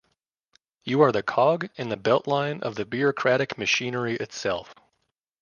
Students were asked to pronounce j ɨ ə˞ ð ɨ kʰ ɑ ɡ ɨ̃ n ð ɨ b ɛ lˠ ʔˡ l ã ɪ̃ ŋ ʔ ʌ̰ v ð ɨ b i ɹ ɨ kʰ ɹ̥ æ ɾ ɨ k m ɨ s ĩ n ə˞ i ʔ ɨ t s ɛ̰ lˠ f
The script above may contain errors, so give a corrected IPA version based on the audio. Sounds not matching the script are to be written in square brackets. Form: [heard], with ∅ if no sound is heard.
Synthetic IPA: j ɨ ə˞ ð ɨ kʰ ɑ ɡ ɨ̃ n ð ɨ b ɛ lˠ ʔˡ l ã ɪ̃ [n] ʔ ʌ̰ v ð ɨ b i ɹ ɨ kʰ ɹ̥ æ ɾ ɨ k m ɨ [ʃ] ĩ n ə˞ i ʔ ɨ t s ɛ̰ lˠ f